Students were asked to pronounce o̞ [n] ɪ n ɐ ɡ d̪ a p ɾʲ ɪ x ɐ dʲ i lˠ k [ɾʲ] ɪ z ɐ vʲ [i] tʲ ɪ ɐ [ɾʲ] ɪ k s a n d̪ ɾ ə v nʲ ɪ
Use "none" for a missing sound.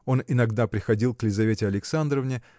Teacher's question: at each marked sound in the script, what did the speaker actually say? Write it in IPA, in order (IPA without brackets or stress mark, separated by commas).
n, lʲ, e, lʲ